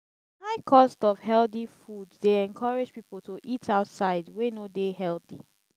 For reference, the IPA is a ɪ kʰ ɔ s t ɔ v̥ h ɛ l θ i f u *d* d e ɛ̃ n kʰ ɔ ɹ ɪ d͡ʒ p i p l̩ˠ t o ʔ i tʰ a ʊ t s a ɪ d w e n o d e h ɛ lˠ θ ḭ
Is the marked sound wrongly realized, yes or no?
no